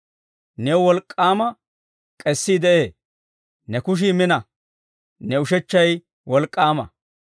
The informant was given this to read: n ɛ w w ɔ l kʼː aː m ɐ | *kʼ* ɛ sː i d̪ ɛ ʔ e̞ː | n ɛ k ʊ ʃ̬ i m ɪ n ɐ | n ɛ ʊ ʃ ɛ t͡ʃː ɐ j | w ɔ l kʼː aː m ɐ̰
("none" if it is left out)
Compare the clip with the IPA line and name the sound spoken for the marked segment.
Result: kʼ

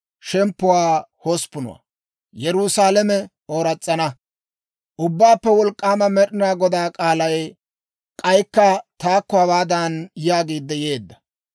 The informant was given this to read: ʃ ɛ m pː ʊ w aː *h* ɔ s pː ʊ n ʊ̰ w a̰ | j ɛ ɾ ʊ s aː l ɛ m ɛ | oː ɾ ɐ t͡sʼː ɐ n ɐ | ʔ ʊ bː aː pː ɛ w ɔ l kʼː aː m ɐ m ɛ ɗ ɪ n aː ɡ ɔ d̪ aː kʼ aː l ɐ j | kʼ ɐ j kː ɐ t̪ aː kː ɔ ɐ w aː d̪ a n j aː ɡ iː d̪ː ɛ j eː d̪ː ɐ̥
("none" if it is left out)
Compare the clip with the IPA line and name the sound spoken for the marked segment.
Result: h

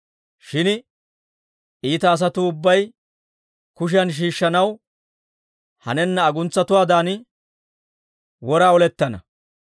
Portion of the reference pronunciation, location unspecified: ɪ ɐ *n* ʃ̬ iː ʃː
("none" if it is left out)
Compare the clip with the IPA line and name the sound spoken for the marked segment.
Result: n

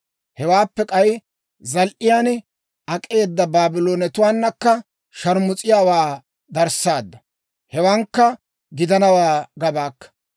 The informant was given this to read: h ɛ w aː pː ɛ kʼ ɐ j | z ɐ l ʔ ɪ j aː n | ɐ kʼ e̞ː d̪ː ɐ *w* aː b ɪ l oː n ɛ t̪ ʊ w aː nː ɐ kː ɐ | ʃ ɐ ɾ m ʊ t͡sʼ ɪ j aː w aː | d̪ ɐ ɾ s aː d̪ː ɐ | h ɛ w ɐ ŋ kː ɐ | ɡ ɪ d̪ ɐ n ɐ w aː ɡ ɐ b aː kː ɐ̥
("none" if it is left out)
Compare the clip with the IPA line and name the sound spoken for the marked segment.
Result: b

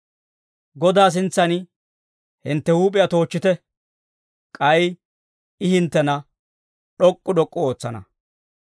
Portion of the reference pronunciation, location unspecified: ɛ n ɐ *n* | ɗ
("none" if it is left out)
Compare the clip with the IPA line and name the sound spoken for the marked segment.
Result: none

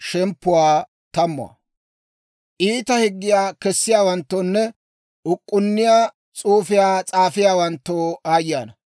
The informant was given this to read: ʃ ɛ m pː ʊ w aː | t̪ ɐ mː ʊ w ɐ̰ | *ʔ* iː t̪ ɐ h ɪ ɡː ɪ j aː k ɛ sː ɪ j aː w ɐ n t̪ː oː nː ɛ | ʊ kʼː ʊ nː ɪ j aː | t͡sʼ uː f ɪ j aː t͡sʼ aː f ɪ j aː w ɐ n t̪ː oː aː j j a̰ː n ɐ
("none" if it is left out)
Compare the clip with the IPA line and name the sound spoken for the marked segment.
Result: ʔ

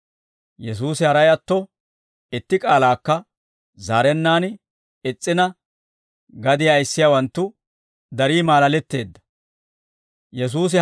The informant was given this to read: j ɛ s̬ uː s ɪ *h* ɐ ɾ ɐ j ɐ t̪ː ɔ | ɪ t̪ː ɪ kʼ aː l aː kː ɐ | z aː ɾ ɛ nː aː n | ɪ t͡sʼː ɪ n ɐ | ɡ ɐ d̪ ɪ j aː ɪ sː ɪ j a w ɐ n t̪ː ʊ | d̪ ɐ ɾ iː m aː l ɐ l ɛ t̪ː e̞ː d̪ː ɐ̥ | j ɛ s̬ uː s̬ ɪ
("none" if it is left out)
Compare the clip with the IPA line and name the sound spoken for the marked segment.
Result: h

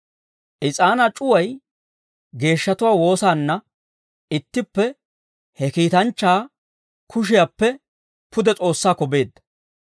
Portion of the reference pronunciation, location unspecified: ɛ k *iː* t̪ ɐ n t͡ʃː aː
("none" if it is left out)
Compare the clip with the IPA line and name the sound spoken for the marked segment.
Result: iː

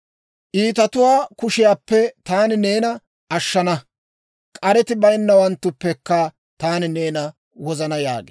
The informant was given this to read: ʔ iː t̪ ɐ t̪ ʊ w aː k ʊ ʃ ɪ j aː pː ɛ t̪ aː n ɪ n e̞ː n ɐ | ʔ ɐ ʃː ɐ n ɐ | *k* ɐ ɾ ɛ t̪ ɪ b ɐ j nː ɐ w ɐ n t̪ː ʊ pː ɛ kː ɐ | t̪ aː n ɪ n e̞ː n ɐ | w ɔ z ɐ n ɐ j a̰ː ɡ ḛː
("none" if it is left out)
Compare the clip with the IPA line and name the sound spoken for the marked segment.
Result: kʼ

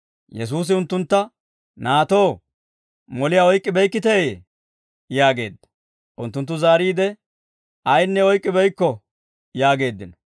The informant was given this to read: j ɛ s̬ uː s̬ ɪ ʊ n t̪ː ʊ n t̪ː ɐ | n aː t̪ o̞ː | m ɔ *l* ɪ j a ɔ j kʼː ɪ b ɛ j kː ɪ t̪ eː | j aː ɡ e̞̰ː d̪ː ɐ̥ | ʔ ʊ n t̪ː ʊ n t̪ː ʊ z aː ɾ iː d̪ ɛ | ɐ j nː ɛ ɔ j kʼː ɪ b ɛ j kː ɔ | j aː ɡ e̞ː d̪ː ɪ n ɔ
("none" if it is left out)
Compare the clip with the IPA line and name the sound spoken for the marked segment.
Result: l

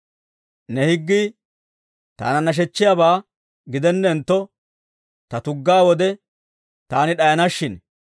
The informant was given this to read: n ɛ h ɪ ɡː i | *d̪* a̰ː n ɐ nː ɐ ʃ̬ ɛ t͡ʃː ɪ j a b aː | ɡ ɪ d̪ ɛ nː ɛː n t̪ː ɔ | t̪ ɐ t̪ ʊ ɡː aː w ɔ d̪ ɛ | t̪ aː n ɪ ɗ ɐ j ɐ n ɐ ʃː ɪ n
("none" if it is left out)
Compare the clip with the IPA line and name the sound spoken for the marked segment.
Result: t̪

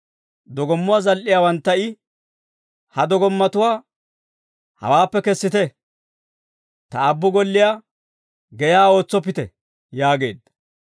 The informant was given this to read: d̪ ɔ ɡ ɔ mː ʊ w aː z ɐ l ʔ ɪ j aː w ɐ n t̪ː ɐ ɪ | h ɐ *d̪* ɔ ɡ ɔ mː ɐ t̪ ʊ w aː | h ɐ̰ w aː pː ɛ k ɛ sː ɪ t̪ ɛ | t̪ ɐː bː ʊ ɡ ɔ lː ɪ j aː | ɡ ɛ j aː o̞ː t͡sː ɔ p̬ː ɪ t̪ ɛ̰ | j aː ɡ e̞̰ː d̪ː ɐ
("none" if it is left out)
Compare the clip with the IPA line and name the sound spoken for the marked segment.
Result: d̪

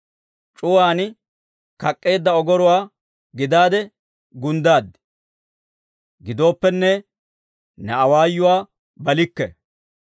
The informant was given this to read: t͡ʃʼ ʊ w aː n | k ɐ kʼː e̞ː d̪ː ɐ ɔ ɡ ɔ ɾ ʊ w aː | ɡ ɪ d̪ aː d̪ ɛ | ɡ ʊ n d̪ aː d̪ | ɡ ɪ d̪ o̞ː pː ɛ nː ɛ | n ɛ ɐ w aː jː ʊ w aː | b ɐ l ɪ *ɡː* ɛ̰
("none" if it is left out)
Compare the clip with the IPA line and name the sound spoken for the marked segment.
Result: kː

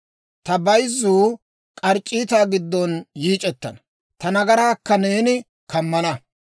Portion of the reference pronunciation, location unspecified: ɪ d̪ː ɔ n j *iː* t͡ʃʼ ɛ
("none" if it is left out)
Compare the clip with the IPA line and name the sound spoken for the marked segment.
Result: iː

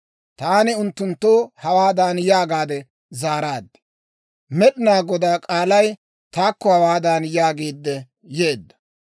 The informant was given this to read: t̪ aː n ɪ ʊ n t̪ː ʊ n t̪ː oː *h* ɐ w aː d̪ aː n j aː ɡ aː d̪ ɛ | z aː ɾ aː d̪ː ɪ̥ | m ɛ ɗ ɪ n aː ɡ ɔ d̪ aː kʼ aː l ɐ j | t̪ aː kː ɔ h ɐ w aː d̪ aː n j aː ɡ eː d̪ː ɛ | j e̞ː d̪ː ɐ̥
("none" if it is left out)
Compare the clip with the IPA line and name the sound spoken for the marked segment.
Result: h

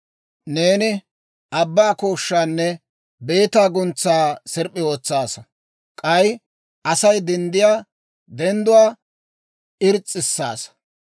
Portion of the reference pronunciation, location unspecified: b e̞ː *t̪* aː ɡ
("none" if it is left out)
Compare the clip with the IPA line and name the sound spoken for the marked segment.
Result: t̪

